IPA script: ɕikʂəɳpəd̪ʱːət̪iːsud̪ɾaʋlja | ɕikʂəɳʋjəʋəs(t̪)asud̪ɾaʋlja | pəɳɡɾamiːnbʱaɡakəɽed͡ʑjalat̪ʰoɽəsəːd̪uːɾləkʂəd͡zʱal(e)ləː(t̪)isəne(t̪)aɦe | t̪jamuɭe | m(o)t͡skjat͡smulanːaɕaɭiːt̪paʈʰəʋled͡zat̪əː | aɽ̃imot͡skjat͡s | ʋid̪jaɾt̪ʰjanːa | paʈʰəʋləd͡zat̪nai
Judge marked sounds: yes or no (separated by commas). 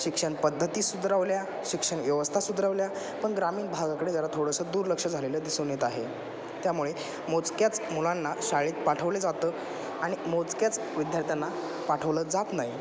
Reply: no, yes, no, yes, yes